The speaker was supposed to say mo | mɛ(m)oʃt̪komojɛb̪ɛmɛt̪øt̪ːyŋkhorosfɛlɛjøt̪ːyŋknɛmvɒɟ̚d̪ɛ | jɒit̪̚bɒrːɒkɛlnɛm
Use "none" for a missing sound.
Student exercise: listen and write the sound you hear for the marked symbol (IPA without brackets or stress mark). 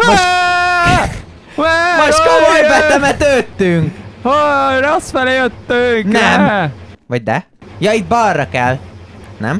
m